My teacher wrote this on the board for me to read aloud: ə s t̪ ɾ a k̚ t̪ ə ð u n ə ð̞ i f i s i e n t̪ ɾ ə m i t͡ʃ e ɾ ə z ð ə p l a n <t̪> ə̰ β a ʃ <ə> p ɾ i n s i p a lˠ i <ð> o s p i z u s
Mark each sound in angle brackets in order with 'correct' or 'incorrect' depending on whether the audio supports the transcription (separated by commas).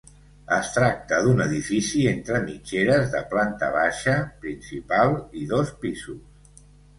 correct, correct, correct